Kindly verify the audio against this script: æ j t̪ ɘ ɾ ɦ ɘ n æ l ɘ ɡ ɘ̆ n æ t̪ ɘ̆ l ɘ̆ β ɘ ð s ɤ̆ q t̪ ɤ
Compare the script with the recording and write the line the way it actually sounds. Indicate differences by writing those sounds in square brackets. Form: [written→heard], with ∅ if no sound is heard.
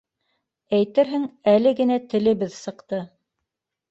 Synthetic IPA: æ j t̪ ɘ ɾ ɦ ɘ [n→ŋ] æ l ɘ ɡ ɘ̆ n æ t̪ ɘ̆ l ɘ̆ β ɘ ð s ɤ̆ q t̪ ɤ